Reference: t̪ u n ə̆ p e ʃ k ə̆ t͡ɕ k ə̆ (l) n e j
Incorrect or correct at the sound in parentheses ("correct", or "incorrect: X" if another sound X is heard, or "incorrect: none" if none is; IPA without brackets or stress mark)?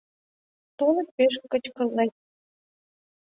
correct